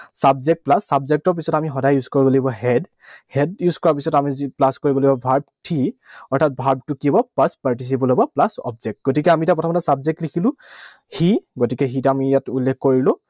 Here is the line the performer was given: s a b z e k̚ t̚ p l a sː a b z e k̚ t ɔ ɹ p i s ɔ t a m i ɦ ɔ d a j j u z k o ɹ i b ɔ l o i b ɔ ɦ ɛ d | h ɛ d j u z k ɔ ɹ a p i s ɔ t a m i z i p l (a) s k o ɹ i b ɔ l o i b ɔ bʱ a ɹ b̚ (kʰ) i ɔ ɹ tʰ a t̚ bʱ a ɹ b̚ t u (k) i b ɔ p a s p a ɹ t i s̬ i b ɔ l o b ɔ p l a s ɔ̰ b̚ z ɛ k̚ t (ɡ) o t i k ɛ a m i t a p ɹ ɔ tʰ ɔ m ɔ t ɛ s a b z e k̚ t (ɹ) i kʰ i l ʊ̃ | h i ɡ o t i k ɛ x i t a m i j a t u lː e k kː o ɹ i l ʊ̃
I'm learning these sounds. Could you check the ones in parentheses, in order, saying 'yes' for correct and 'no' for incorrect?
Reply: yes, no, yes, yes, no

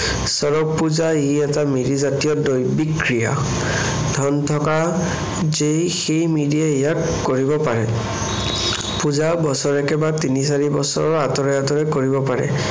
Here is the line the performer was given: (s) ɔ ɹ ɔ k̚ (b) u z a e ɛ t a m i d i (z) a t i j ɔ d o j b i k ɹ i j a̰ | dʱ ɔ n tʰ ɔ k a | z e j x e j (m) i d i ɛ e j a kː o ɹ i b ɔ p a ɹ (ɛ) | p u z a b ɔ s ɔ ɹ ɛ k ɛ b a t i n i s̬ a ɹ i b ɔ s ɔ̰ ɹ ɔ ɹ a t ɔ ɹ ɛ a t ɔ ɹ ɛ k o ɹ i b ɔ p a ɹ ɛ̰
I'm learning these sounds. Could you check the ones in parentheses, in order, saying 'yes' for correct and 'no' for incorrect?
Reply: yes, no, yes, yes, yes

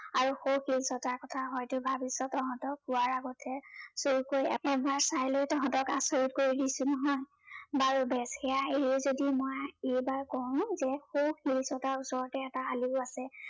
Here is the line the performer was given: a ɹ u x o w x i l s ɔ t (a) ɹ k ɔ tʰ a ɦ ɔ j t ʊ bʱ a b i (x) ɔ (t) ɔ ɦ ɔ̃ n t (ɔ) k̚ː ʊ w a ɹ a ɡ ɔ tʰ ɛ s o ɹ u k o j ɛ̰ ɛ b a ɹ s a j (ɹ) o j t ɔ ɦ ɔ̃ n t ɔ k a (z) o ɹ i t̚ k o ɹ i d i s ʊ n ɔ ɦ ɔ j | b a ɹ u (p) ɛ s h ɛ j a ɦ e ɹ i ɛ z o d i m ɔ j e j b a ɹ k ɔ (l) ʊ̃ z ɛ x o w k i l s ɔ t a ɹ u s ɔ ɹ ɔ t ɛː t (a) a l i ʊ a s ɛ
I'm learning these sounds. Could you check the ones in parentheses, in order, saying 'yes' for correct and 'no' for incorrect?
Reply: yes, no, yes, yes, no, no, no, no, yes

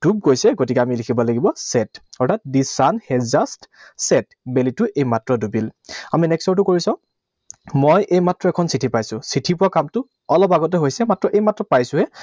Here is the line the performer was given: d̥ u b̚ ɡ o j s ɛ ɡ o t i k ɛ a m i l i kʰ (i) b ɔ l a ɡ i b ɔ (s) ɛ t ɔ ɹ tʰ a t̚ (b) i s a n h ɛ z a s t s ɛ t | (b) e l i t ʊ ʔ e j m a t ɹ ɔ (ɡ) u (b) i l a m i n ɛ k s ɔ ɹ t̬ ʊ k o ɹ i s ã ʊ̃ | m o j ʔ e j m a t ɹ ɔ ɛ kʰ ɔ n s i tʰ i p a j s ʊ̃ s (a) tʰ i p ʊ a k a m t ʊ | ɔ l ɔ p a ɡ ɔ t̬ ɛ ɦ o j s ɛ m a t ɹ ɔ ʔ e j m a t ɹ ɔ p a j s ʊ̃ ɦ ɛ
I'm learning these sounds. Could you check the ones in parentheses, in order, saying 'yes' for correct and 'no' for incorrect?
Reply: yes, yes, no, yes, no, yes, no

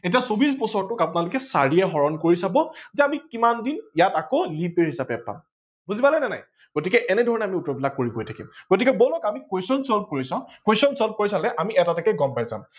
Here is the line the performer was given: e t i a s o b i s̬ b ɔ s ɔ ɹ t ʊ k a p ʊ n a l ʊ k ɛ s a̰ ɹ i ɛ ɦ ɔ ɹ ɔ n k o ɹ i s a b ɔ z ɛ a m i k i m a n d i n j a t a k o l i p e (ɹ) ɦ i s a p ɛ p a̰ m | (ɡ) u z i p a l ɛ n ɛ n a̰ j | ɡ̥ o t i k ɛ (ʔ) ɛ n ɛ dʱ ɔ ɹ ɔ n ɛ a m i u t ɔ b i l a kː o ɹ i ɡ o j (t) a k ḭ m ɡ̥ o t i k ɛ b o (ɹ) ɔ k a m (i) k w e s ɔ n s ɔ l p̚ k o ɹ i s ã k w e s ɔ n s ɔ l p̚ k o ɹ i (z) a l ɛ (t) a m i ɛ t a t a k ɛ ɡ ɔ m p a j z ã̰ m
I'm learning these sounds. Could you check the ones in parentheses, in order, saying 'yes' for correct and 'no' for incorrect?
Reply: yes, no, yes, no, no, yes, no, no

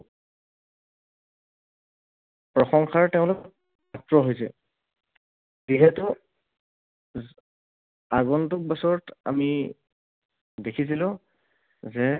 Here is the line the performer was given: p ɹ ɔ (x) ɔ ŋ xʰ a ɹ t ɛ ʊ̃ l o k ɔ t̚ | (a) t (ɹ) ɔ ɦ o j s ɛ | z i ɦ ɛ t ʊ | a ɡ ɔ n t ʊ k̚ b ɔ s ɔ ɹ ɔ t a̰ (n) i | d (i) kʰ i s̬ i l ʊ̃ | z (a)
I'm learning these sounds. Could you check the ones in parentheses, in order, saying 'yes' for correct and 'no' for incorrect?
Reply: yes, yes, yes, no, no, no

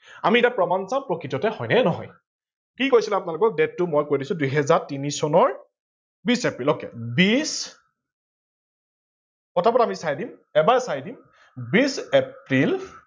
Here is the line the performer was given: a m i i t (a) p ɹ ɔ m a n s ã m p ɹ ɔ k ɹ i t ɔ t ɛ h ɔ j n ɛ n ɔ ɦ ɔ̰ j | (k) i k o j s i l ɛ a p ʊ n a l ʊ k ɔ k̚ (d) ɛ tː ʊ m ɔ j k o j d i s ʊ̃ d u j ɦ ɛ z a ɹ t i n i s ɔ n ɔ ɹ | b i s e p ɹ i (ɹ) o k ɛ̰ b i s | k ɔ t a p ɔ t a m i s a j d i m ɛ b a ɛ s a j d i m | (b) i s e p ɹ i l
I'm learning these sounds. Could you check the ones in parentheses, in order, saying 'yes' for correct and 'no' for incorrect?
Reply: yes, yes, yes, no, yes

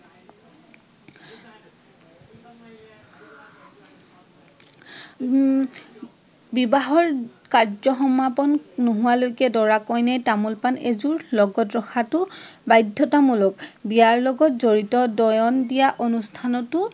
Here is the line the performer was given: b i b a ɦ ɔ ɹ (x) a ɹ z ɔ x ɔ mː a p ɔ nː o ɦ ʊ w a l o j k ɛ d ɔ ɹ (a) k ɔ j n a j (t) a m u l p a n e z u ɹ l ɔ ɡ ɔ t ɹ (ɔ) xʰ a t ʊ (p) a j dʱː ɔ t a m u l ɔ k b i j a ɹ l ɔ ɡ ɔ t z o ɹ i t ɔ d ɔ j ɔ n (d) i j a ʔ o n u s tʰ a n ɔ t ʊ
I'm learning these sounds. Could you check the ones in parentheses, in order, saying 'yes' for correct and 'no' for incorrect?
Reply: no, yes, yes, yes, no, yes

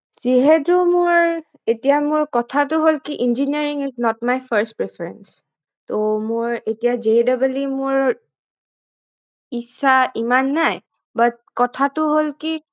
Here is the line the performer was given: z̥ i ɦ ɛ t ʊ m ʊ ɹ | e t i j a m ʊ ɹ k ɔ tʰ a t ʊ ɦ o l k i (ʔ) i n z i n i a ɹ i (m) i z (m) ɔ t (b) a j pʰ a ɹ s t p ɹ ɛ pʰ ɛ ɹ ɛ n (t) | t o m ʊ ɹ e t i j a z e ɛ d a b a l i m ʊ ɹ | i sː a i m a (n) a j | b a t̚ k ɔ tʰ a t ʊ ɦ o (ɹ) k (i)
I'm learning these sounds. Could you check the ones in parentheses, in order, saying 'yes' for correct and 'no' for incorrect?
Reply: yes, no, no, no, no, no, no, yes

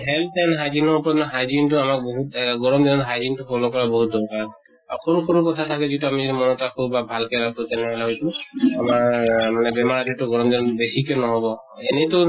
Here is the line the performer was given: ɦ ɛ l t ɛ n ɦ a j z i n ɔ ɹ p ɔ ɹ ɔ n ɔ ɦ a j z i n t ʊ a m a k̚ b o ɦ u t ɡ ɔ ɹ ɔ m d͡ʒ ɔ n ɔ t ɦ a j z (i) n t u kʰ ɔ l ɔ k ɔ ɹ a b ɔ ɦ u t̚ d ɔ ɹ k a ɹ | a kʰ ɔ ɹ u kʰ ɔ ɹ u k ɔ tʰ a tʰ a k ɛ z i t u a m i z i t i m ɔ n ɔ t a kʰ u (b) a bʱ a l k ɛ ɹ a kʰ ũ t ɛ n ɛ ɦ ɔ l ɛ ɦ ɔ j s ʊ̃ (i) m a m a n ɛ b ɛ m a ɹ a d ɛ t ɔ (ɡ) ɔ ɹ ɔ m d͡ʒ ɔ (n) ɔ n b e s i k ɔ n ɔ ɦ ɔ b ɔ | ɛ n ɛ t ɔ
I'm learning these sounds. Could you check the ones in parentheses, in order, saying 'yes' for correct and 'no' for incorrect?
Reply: yes, yes, no, yes, yes

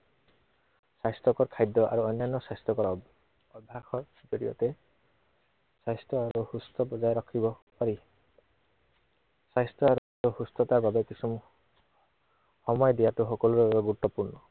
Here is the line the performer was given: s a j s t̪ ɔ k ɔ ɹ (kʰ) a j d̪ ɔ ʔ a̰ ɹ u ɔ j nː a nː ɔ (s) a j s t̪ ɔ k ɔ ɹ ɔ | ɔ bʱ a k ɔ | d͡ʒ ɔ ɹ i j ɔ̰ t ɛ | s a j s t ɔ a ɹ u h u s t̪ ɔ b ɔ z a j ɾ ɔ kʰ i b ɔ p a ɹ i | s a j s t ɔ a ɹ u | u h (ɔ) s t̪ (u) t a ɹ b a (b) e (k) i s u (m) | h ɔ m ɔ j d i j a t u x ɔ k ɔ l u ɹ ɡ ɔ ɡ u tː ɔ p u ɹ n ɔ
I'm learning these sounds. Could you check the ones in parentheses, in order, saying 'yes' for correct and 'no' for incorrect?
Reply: yes, yes, no, no, yes, yes, yes

